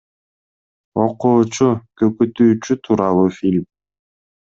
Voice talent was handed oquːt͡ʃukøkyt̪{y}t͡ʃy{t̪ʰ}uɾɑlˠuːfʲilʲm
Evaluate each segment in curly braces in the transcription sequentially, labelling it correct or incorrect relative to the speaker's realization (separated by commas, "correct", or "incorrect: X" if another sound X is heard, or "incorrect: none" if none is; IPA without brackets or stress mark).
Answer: incorrect: yː, correct